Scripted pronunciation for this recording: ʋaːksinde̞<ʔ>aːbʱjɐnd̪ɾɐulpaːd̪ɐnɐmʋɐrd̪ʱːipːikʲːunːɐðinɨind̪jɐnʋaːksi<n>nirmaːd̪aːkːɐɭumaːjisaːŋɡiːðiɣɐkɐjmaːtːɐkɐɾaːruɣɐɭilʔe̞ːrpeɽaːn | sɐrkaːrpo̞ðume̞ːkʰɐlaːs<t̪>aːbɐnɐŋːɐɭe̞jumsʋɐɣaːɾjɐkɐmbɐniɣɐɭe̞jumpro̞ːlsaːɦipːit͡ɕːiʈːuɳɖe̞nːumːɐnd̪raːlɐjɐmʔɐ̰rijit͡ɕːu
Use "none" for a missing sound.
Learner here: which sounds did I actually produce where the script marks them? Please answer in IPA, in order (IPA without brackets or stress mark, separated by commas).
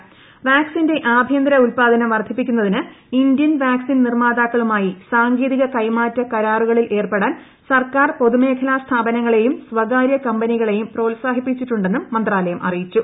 ʔ, n, t̪ʰ